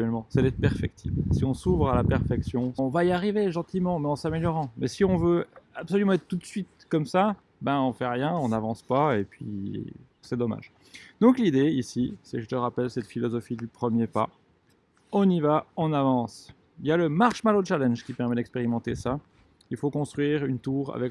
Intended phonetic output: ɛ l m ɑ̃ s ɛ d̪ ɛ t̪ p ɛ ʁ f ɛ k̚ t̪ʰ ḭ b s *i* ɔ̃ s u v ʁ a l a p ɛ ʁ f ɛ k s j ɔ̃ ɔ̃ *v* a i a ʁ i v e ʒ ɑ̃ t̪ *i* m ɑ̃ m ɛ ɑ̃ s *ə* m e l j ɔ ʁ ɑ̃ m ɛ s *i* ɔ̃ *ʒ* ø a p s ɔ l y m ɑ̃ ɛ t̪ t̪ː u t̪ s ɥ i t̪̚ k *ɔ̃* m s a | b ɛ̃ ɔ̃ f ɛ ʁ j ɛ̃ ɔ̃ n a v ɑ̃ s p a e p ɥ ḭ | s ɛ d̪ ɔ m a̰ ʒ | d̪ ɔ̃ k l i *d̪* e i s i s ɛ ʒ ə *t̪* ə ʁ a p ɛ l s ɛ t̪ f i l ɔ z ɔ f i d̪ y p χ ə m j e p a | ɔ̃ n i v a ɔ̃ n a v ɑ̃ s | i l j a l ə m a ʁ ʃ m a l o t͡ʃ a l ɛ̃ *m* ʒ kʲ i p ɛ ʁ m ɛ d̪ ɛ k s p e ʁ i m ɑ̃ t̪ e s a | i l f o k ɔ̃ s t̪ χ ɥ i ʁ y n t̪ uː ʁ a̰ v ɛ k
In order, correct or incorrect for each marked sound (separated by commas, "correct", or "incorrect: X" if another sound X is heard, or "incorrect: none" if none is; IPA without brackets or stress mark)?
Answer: correct, correct, correct, incorrect: a, correct, incorrect: v, incorrect: ɔ, correct, correct, incorrect: n